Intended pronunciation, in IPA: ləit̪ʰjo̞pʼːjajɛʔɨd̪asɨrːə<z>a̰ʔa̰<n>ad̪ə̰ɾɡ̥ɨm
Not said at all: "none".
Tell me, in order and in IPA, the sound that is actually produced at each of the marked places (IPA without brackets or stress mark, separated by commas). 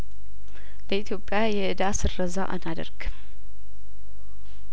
z, n